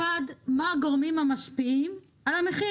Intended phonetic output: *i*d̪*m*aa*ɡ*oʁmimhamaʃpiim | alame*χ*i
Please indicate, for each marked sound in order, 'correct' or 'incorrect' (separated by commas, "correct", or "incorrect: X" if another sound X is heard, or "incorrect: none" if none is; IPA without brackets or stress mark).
incorrect: a, correct, correct, correct